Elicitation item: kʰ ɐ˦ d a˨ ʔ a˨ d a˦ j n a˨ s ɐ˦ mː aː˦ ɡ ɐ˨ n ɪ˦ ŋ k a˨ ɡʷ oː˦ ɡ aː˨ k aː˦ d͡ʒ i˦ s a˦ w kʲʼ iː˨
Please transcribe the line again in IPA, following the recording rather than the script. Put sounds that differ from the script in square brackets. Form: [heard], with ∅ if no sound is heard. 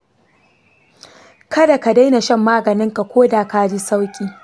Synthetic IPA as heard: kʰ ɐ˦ d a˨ [k] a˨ d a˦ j n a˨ [ʃ] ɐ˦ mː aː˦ ɡ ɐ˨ n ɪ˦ ŋ k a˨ [kʷ] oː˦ [d] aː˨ k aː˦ d͡ʒ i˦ s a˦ w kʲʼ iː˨